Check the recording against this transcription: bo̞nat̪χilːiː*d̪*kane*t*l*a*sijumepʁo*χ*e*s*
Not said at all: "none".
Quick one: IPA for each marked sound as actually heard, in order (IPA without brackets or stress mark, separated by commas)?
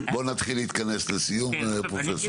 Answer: t̪, s, e, f, s